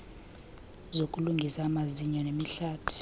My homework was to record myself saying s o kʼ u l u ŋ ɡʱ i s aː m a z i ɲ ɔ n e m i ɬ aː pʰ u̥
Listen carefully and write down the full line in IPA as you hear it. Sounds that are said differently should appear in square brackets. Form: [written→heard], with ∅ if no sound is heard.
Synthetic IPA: [s→z] o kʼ u l u ŋ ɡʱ i s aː m a z i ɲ ɔ n e m i ɬ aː [pʰ→tʰ] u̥